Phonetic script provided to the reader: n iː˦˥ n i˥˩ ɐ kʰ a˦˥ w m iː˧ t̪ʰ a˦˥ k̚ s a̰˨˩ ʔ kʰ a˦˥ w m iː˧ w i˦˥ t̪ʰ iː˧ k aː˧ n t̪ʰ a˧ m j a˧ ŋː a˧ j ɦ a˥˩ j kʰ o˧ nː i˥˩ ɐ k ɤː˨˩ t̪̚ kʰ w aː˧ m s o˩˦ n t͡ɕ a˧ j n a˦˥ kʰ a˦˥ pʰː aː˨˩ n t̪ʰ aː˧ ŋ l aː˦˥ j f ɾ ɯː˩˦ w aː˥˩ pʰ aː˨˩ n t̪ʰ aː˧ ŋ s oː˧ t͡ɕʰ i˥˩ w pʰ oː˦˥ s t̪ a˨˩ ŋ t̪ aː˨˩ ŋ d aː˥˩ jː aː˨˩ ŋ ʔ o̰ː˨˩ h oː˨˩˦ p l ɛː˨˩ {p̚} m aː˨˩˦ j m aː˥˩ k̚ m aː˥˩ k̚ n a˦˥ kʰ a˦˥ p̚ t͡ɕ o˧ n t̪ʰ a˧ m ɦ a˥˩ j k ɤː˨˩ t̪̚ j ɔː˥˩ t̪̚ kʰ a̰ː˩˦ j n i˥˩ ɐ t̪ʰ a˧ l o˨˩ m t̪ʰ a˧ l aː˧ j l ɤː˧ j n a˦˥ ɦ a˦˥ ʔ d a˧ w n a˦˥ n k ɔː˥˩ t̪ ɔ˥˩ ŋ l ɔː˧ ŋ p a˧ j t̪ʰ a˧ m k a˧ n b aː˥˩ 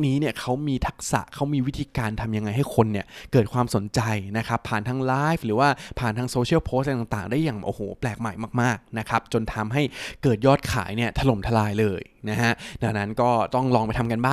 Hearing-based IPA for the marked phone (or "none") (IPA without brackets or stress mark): k̚